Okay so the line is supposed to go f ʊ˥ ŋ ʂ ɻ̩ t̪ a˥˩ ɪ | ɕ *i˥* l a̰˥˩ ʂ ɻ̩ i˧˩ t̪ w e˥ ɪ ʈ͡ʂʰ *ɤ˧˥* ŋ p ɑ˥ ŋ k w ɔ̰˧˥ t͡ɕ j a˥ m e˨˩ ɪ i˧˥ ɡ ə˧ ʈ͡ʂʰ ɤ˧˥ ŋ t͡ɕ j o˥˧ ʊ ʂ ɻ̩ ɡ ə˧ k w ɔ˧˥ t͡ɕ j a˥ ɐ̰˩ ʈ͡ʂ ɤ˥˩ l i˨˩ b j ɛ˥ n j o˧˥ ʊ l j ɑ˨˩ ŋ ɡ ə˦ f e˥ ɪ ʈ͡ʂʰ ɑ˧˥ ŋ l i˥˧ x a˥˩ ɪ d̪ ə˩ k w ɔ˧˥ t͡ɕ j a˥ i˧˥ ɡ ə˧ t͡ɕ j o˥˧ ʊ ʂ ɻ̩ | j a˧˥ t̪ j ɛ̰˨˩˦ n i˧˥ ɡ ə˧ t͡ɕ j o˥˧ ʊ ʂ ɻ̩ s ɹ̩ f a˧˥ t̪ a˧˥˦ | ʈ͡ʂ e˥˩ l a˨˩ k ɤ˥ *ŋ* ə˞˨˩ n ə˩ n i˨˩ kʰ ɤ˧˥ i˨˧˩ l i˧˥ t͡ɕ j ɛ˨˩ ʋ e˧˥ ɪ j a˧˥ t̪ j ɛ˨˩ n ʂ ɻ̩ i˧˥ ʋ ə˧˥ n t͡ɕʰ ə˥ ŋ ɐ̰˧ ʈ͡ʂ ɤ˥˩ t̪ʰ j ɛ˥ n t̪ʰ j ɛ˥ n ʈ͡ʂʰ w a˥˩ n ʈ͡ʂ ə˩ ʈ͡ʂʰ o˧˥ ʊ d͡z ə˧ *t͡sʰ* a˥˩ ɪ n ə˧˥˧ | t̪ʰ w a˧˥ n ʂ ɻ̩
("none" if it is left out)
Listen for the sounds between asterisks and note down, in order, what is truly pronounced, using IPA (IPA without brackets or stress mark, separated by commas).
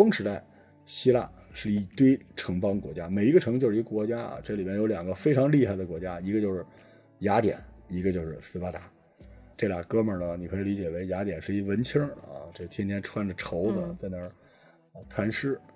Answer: i˥, ɤ˧˥, m, t͡s